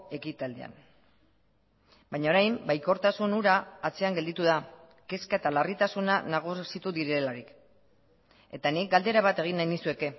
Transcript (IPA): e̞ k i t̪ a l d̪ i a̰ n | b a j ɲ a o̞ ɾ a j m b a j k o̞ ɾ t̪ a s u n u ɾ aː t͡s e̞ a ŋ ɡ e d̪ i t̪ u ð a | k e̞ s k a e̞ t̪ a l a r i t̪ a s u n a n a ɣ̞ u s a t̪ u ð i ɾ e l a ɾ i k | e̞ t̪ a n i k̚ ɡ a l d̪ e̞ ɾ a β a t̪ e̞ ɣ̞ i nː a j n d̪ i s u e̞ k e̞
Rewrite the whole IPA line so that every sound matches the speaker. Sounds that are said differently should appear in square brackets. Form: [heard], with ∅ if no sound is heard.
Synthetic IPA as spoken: e̞ k i t̪ a l d̪ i a̰ n | b a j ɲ a o̞ ɾ a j m b a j k o̞ ɾ t̪ a s u n u ɾ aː t͡s e̞ a ŋ ɡ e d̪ i t̪ u ð a | k e̞ s k a e̞ t̪ a l a r i t̪ a s u n a n a ɣ̞ u s [i] t̪ u ð i ɾ e l a ɾ i k | e̞ t̪ a n i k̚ ɡ a l d̪ e̞ ɾ a β a t̪ e̞ ɣ̞ i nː a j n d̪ i s u e̞ k e̞

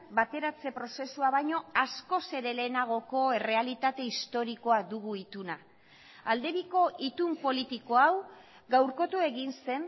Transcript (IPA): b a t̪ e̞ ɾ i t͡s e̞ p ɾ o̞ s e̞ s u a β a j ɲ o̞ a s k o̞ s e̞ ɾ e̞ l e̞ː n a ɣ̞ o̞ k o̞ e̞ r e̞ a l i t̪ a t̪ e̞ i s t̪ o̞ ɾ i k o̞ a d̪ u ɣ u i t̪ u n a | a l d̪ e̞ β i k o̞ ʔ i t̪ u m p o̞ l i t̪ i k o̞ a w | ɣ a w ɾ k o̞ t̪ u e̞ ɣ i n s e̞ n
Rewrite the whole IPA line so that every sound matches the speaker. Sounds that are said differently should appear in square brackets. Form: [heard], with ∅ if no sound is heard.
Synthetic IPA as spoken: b a t̪ e̞ ɾ [a] t͡s e̞ p ɾ o̞ s e̞ s u a β a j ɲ o̞ a s k o̞ s e̞ ɾ e̞ l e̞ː n a ɣ̞ o̞ k o̞ e̞ r e̞ a l i t̪ a t̪ e̞ i s t̪ o̞ ɾ i k o̞ a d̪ u ɣ u i t̪ u n a | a l d̪ e̞ β i k o̞ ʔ i t̪ u m p o̞ l i t̪ i k o̞ a w | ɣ a w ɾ k o̞ t̪ u e̞ ɣ i n s e̞ n

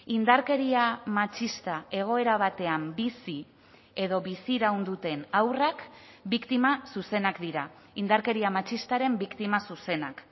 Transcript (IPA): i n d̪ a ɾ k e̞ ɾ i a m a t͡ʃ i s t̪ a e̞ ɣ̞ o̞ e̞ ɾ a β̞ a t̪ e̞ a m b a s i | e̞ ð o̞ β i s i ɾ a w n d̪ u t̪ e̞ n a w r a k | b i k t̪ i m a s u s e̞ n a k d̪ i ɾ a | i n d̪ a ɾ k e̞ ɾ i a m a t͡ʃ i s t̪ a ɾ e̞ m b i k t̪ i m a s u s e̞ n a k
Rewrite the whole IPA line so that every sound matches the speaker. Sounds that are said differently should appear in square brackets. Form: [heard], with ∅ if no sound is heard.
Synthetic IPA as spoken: i n d̪ a ɾ k e̞ ɾ i a m a t͡ʃ i s t̪ a e̞ ɣ̞ o̞ e̞ ɾ a β̞ a t̪ e̞ a m b [i] s i | e̞ ð o̞ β i s i ɾ a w n d̪ u t̪ e̞ n a w r a k | b i k t̪ i m a s u s e̞ n a k d̪ i ɾ a | i n d̪ a ɾ k e̞ ɾ i a m a t͡ʃ i s t̪ a ɾ e̞ m b i k t̪ i m a s u s e̞ n a k

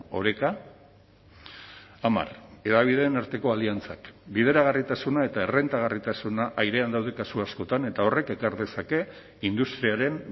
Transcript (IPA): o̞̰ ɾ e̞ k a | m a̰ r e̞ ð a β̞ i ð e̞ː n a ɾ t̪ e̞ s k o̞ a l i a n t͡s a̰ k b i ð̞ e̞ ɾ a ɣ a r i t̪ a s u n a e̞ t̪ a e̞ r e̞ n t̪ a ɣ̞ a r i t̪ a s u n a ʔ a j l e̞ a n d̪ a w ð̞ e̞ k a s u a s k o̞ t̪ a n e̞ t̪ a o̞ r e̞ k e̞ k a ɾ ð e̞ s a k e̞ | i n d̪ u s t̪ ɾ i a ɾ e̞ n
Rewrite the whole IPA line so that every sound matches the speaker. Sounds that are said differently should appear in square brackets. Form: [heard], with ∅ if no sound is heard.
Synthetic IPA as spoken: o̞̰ ɾ e̞ k a | m a̰ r e̞ ð a β̞ i ð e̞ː n a ɾ t̪ e̞ [∅] k o̞ a l i a n t͡s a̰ k b i ð̞ e̞ ɾ a ɣ a r i t̪ a s u n a e̞ t̪ a e̞ r e̞ n t̪ a ɣ̞ a r i t̪ a s u n a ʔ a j [ɾ] e̞ a n d̪ a w ð̞ e̞ k a s u a s k o̞ t̪ a n e̞ t̪ a o̞ r e̞ k e̞ k a ɾ ð e̞ s a k e̞ | i n d̪ u s t̪ ɾ i a ɾ e̞ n

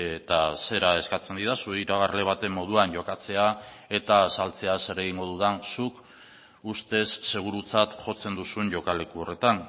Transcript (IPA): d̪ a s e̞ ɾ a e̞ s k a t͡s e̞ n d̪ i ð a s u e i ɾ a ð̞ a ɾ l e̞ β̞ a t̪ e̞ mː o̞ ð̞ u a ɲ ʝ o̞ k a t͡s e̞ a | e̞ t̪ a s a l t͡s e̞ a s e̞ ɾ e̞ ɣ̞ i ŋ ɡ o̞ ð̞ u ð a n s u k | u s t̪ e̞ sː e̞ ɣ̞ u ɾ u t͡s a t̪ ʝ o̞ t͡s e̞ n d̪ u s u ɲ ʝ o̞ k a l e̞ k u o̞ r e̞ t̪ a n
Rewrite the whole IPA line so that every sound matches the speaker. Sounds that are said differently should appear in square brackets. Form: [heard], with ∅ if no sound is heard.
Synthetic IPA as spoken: [t̪] a s e̞ ɾ a e̞ s k a t͡s e̞ n d̪ i ð a s u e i ɾ a [ɣ̞] a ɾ l e̞ β̞ a t̪ e̞ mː o̞ ð̞ u a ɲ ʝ o̞ k a t͡s e̞ a | e̞ t̪ a s a l t͡s e̞ a s e̞ ɾ e̞ ɣ̞ i ŋ ɡ o̞ ð̞ u ð a n s u k | u s t̪ e̞ sː e̞ ɣ̞ u ɾ u t͡s a t̪ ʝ o̞ t͡s e̞ n d̪ u s u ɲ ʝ o̞ k a l e̞ k u o̞ r e̞ t̪ a n

